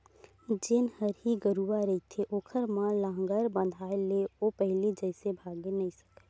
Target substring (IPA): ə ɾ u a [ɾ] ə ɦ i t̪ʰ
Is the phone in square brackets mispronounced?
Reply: no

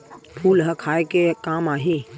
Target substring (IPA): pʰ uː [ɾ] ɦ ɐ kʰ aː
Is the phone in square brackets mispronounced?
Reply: yes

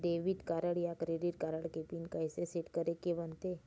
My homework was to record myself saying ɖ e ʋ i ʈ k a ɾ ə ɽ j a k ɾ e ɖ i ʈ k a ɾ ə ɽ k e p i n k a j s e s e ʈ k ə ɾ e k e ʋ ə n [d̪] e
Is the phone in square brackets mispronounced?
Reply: yes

